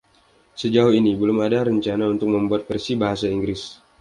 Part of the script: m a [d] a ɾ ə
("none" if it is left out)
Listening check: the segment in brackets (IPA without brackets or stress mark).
d